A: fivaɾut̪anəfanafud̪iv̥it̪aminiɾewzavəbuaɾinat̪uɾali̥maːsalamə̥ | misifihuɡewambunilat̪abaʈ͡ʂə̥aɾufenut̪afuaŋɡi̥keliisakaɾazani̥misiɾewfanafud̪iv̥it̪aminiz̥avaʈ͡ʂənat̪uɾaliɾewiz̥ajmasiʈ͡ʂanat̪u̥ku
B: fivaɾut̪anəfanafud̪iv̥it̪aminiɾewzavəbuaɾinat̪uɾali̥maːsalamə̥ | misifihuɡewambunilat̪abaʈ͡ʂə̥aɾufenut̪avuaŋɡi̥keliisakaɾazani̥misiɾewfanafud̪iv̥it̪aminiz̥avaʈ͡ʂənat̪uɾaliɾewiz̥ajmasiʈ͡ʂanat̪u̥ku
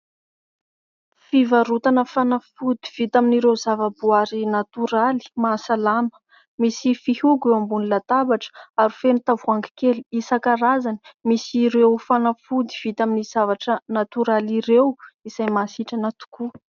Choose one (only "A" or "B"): B